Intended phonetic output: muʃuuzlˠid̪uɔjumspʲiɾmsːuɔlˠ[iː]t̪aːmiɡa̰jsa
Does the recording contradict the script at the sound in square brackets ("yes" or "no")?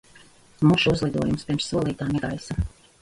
no